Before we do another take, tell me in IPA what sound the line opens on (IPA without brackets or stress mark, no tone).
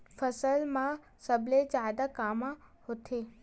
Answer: f